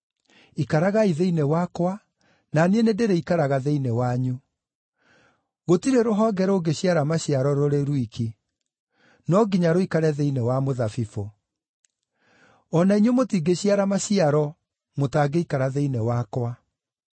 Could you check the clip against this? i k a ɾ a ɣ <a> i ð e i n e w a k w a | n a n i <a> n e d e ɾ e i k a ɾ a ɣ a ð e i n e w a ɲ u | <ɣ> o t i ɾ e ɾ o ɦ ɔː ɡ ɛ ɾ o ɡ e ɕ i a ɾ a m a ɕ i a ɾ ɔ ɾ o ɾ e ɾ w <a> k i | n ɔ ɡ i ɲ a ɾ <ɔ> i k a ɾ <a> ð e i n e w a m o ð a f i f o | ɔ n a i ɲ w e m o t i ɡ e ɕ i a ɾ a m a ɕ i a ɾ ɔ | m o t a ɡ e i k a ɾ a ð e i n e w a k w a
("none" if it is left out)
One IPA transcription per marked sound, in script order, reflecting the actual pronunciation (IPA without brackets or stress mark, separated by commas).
a, e, ɣ, i, o, ɛ